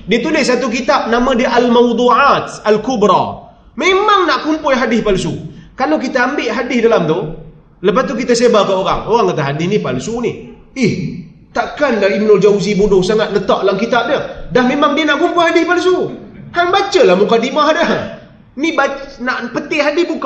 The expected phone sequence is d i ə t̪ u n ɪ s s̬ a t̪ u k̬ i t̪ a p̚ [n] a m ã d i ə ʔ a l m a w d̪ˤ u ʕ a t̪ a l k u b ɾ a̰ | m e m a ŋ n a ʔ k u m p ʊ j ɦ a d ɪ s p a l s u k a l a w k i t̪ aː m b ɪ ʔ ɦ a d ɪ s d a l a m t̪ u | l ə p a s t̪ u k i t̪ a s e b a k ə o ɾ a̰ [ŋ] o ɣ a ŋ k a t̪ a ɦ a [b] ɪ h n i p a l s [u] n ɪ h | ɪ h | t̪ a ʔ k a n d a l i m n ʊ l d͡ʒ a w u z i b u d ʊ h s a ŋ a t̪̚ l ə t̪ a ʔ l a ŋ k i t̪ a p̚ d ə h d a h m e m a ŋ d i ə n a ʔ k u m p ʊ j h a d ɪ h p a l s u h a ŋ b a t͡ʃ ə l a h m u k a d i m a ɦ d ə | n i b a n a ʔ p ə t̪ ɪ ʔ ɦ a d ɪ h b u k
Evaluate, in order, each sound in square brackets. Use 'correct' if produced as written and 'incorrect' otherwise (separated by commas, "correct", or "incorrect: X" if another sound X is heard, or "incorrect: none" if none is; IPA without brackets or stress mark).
correct, correct, incorrect: d, correct